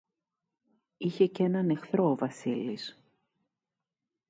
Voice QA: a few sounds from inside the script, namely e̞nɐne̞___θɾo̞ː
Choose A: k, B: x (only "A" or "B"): B